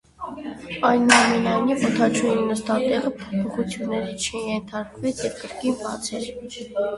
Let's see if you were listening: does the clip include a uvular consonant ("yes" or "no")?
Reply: yes